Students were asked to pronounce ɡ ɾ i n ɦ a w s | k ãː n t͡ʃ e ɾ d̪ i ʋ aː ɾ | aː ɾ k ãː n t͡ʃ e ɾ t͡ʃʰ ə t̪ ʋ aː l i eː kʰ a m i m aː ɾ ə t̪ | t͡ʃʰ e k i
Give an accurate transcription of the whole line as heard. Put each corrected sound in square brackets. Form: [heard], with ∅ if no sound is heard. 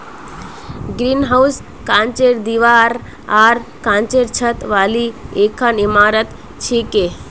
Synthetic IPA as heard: ɡ ɾ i n ɦ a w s | k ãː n t͡ʃ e ɾ d̪ i ʋ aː ɾ | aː ɾ k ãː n t͡ʃ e ɾ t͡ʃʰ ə t̪ ʋ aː l i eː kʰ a [n] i m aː ɾ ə t̪ | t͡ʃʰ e k [e]